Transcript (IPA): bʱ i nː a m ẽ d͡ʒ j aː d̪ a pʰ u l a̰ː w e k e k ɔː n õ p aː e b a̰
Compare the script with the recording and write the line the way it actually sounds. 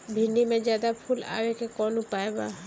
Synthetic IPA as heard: bʱ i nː i m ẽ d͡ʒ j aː d̪ a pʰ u l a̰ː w e k e k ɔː n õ p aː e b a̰